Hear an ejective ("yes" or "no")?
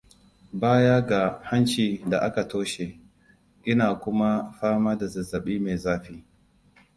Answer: no